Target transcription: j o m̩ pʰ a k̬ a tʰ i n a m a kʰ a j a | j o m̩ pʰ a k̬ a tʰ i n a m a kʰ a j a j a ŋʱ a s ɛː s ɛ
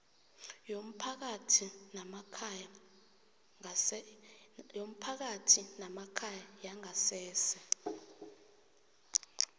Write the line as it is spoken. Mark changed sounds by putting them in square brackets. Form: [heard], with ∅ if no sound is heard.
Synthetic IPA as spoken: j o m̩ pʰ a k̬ a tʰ i n a m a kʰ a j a | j o m̩ pʰ a k̬ a tʰ i n a m a kʰ a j a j a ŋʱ a s ɛː s ɛ